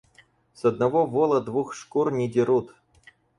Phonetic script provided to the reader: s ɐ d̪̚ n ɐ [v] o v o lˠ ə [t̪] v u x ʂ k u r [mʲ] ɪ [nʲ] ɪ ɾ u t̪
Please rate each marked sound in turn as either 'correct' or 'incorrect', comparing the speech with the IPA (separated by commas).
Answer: correct, incorrect, incorrect, incorrect